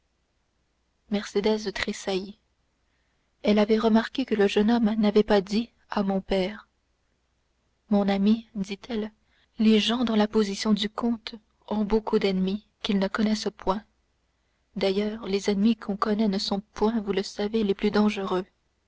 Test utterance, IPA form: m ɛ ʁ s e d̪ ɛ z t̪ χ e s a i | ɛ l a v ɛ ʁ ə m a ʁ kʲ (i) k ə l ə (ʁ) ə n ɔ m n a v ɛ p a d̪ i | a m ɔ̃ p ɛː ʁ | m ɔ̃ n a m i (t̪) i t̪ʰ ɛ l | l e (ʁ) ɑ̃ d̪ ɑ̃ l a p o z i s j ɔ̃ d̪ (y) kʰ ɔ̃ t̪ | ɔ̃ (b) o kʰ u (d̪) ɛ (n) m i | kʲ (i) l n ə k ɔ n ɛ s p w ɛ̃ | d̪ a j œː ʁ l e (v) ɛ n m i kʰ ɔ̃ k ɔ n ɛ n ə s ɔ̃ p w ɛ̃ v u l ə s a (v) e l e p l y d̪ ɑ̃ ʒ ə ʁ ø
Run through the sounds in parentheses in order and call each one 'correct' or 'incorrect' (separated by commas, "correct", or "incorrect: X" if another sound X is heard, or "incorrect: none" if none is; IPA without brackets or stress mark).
incorrect: e, incorrect: ʒ, incorrect: d̪, incorrect: ʒ, correct, correct, correct, correct, correct, incorrect: z, correct